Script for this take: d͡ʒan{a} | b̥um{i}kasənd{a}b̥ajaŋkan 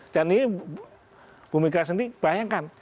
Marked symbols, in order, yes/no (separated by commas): no, yes, no